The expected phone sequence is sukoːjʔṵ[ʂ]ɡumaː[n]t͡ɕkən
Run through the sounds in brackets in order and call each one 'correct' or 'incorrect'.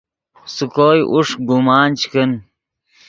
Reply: correct, correct

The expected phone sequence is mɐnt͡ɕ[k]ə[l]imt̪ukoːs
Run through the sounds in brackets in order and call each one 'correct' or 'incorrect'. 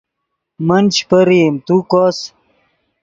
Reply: incorrect: p, incorrect: ɾ

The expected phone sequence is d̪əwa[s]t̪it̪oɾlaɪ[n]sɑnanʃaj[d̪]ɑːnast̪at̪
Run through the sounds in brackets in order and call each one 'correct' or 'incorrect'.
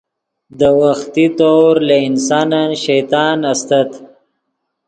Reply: incorrect: x, correct, incorrect: t̪

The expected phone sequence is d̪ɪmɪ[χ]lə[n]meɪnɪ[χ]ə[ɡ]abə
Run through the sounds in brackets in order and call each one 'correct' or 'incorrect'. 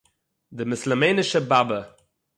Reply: incorrect: s, incorrect: none, incorrect: ʃ, incorrect: b

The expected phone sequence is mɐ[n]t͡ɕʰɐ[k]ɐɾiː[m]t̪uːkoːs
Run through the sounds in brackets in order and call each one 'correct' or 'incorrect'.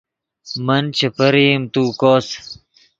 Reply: correct, incorrect: p, correct

